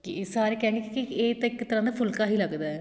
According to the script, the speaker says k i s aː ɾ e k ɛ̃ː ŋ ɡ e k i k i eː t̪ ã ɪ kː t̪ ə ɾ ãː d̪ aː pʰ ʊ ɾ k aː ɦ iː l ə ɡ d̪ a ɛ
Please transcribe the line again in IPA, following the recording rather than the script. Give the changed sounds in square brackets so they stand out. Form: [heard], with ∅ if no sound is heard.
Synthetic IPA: k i s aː ɾ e k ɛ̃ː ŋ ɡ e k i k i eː t̪ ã ɪ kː t̪ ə ɾ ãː d̪ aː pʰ ʊ [l] k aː ɦ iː l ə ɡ d̪ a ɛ